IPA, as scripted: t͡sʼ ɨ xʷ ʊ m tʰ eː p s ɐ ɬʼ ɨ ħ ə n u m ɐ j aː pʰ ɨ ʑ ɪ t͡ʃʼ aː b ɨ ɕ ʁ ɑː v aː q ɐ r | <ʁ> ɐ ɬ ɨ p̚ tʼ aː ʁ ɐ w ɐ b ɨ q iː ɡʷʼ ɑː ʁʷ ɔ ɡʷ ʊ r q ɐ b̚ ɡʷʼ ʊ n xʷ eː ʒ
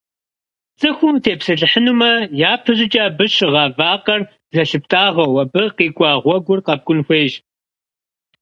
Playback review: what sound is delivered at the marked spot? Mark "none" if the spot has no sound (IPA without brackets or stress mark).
z